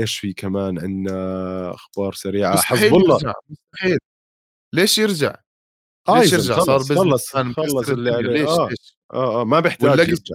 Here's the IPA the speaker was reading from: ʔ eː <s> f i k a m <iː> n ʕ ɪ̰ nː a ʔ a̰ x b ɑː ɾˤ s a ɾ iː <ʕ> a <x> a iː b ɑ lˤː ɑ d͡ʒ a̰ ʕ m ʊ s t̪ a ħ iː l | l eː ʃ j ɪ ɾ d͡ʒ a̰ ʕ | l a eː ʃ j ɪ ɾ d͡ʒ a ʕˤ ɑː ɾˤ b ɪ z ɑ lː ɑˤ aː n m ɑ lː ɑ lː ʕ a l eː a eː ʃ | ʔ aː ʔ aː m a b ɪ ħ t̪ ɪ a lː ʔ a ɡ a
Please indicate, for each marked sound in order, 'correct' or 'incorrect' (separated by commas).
incorrect, incorrect, correct, incorrect